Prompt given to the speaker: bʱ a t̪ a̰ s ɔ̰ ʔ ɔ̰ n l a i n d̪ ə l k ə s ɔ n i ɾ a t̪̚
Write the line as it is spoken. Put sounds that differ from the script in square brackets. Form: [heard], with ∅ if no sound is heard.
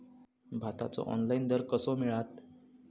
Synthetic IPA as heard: bʱ a t̪ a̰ [t͡s] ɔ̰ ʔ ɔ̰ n l a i n d̪ ə [ɾ] k ə s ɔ [m] i [ɭ] a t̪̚